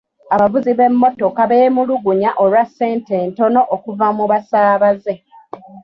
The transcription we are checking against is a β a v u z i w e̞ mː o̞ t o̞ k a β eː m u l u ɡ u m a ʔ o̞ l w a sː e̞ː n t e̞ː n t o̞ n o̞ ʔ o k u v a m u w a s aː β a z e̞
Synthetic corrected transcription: a β a v u z i β e̞ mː o̞ t o̞ k a β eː m u l u ɡ u ɲ a ʔ o̞ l w a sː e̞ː n t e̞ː n t o̞ n o̞ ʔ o k u v a m u β a s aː β a z e̞